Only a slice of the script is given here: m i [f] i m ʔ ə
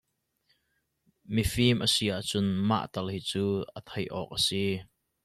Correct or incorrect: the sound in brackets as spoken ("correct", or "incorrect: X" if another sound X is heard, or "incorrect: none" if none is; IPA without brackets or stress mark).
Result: correct